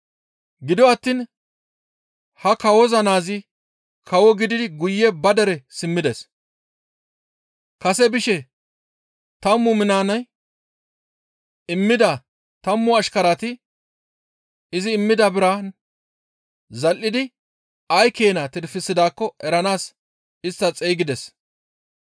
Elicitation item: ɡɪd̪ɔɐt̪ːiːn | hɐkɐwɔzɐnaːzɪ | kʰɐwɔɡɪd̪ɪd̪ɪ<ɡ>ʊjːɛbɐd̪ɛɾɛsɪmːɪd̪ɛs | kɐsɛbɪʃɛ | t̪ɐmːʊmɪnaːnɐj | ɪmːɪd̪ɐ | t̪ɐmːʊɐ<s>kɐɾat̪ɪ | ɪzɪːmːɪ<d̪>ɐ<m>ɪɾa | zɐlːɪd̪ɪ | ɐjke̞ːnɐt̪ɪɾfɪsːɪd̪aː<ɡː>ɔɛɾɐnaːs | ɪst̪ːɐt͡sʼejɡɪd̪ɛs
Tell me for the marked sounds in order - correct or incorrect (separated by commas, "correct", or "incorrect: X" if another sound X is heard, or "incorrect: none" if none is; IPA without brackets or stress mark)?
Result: correct, incorrect: ʃ, correct, incorrect: b, incorrect: kː